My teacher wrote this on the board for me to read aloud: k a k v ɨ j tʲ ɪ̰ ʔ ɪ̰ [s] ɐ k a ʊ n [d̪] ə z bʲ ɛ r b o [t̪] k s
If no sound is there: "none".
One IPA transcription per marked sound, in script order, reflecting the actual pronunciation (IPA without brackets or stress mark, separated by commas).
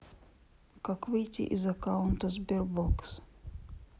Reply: z, t̪, none